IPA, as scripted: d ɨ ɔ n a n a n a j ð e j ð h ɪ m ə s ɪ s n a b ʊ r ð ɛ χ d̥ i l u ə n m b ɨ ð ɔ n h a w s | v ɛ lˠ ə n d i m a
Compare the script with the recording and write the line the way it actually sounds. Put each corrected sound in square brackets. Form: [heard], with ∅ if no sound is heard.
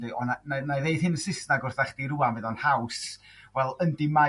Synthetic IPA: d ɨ ɔ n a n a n a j ð e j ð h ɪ [n] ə s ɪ s n a [ɡ] ʊ r [θ] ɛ χ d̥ i [ɾ] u [a] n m [v] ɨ ð ɔ n h a w s | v ɛ lˠ ə n d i m a